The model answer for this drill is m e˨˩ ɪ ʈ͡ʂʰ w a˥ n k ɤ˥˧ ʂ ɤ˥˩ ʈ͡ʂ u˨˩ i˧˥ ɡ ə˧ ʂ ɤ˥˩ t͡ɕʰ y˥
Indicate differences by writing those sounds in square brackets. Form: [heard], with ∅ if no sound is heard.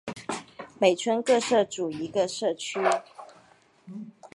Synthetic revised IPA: m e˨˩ ɪ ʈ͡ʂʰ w [ə˥] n k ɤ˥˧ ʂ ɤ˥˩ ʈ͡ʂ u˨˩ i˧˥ ɡ ə˧ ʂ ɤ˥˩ t͡ɕʰ y˥